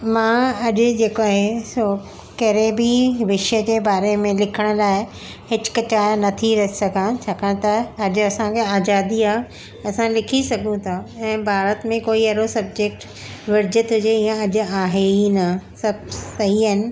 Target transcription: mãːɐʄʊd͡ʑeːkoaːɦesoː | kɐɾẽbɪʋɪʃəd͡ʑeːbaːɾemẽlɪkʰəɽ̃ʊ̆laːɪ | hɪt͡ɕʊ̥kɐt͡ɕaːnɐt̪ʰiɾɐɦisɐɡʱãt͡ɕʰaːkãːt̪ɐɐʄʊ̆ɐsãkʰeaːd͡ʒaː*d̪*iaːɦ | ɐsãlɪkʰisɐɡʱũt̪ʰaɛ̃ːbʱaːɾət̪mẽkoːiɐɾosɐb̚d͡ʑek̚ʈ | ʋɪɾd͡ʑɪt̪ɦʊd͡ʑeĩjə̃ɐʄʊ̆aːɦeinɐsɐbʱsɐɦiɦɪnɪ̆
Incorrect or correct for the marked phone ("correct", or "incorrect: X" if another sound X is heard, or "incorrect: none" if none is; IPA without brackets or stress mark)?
correct